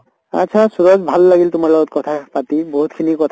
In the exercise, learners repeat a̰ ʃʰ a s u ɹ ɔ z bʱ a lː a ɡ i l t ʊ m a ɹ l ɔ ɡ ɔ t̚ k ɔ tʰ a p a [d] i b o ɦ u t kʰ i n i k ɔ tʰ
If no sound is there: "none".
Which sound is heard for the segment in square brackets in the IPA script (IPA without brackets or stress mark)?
t